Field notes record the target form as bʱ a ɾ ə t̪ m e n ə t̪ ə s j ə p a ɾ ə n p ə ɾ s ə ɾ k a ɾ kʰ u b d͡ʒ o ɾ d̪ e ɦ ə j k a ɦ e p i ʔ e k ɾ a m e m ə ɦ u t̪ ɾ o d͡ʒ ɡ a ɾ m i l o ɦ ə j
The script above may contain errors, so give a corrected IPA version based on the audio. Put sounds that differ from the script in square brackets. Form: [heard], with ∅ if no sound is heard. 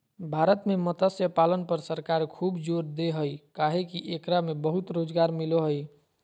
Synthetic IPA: bʱ a ɾ ə t̪ m e [m] ə t̪ ə s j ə p a [l] ə n p ə ɾ s ə ɾ k a ɾ kʰ u b d͡ʒ o ɾ d̪ e ɦ ə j k a ɦ e [k] i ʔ e k ɾ a m e [b] ə ɦ u t̪ ɾ o d͡ʒ ɡ a ɾ m i l o ɦ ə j